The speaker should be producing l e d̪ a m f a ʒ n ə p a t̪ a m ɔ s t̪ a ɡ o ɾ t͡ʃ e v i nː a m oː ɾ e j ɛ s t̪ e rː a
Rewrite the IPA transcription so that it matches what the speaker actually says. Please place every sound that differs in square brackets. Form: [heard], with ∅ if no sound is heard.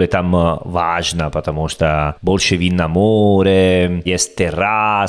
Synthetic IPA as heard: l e [t̪] a m [v] a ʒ n [a] p a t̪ a m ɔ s t̪ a [b] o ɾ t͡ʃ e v i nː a m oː ɾ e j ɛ s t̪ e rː a